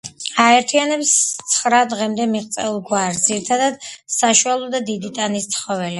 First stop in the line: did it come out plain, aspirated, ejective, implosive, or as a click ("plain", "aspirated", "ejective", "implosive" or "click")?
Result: aspirated